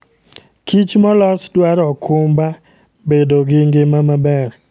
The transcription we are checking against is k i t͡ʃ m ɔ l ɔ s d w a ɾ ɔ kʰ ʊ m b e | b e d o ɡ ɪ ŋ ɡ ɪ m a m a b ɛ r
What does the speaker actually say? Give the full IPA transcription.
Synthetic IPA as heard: k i t͡ʃ m ɔ l ɔ s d w a ɾ ɔ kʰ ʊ m b a | b e d o ɡ ɪ ŋ ɡ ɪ m a m a b ɛ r